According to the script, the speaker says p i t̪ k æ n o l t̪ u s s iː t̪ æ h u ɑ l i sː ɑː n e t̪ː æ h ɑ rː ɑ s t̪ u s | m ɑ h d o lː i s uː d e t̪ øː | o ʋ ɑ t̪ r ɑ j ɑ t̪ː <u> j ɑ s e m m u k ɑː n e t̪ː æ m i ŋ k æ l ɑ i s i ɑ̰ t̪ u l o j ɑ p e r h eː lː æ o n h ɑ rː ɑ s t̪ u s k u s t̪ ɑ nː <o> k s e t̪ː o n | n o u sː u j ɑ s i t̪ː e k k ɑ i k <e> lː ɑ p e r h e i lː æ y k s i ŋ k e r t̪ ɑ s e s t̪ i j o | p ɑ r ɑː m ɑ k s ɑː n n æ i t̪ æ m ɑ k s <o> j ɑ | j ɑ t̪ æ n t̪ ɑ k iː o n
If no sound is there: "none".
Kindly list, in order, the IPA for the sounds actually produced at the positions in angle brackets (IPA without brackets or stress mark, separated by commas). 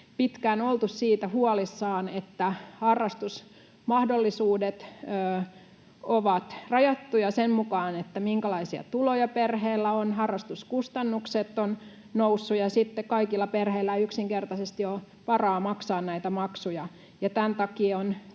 u, u, i, u